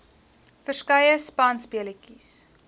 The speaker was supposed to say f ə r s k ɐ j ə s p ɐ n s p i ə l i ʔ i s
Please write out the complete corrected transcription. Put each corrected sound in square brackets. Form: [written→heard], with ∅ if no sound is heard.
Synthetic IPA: f ə r s k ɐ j ə s p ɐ n s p i ə l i [ʔ→k] i s